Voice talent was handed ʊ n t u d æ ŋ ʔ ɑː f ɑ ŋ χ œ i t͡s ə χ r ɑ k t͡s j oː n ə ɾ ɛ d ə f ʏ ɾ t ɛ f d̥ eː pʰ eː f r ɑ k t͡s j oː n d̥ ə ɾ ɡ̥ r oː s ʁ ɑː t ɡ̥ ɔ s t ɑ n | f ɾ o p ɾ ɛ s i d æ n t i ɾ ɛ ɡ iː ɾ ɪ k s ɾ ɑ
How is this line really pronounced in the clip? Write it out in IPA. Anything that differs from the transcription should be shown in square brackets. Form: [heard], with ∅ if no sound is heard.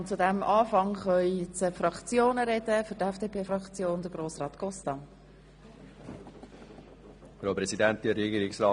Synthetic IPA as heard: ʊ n [t͡s] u d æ [m] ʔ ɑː f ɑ ŋ χ œ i t͡s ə [f] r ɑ k t͡s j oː n ə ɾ ɛ d ə f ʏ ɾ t ɛ f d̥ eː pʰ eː f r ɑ k t͡s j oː n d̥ ə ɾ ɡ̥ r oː s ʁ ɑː t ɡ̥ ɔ s t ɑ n | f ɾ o p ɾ ɛ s i d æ n t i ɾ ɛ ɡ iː ɾ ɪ k s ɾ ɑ

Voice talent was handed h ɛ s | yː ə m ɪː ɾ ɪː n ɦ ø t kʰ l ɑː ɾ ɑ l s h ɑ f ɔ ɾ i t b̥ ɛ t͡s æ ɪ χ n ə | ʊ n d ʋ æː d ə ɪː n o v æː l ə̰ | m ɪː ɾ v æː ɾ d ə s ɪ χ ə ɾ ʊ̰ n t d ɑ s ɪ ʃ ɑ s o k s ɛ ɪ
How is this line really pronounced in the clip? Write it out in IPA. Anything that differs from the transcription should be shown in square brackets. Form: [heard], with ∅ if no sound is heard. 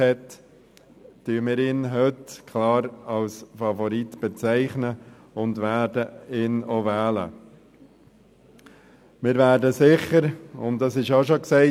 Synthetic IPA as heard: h ɛ [t] | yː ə m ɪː ɾ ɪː n ɦ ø t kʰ l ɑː ɾ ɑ l s [f] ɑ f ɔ ɾ i t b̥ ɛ t͡s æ ɪ χ n ə | ʊ n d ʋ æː d ə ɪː n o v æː l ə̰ | m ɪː ɾ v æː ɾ d ə s ɪ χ ə ɾ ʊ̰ n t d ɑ s ɪ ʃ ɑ [ʃ] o k s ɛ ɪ

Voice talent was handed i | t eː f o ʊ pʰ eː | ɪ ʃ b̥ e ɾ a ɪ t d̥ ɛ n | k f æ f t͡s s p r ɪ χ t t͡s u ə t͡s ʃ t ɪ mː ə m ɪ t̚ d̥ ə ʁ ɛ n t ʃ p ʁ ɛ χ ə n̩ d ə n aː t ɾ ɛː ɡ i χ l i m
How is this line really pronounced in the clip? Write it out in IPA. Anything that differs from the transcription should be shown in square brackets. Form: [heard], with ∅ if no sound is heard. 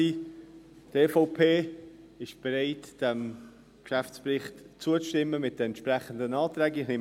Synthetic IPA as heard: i | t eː f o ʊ pʰ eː | ɪ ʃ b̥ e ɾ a ɪ t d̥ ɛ [m] | k [ʃ] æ f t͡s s p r ɪ χ t t͡s u ə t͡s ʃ t ɪ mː ə m ɪ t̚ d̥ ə [∅] ɛ n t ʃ p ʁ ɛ χ ə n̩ d ə n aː t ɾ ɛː ɡ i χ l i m

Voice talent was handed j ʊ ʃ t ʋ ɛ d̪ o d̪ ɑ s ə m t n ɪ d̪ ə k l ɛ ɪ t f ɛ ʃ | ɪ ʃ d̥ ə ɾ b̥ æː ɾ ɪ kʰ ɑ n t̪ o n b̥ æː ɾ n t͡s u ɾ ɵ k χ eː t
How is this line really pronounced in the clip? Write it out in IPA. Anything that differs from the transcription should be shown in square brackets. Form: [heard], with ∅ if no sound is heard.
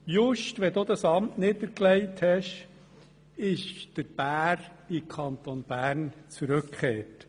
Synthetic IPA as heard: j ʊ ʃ t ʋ ɛ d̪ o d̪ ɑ s [ɑ] m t n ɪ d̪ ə k l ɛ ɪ t [h] ɛ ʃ | ɪ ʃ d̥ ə ɾ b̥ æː ɾ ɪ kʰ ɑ n t̪ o n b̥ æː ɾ n t͡s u ɾ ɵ k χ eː t

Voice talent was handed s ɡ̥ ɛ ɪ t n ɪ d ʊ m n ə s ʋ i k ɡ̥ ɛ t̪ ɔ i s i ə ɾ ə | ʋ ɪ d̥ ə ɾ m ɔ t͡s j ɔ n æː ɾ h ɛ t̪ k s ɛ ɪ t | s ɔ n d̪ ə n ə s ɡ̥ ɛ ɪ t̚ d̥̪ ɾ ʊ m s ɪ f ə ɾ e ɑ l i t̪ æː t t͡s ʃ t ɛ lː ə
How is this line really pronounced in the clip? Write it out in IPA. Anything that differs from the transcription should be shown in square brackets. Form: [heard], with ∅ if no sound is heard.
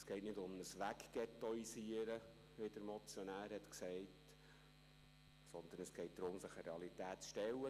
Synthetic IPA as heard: s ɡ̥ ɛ ɪ t n ɪ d ʊ m n ə s ʋ [æ] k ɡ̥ ɛ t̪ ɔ i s i ə ɾ ə | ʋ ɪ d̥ ə ɾ m ɔ t͡s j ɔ n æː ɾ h ɛ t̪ k s ɛ ɪ t | s ɔ n d̪ ə n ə s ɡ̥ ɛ ɪ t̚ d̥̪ ɾ ʊ m s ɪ [χ] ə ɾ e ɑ l i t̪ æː t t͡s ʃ t ɛ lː ə

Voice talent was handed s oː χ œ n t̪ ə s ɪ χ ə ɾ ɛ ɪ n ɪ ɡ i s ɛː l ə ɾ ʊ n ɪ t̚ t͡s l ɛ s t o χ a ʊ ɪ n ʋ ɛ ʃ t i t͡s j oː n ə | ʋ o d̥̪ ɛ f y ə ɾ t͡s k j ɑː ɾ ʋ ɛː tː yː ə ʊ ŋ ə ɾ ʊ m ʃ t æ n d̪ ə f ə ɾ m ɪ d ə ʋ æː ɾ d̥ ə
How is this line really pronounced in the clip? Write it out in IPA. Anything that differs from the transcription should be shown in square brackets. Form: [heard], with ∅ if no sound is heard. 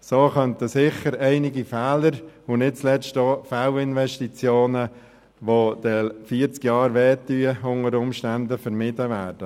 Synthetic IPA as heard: s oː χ œ n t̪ ə s ɪ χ ə ɾ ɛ ɪ n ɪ ɡ i [f] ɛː l ə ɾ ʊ n ɪ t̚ t͡s l ɛ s t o [f] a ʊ ɪ n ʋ ɛ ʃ t i t͡s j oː n ə | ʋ o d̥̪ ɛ f [i] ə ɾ t͡s k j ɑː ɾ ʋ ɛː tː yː ə ʊ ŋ ə ɾ ʊ m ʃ t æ n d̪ ə f ə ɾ m ɪ d ə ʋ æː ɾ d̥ ə

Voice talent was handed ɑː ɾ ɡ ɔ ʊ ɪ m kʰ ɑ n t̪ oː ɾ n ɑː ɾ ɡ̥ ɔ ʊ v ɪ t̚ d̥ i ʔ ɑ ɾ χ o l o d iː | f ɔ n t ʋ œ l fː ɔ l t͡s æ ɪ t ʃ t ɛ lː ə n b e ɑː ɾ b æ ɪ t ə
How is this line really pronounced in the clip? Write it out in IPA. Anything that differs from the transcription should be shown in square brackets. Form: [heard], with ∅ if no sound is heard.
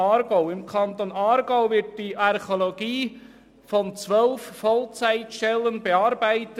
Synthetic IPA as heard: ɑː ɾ ɡ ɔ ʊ ɪ m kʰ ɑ n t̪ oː [∅] n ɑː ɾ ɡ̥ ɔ ʊ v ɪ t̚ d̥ i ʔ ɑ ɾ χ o l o [ɡ] iː | f ɔ n [t͡s] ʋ œ l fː ɔ l t͡s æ ɪ t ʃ t ɛ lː ə n b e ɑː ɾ b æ ɪ t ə

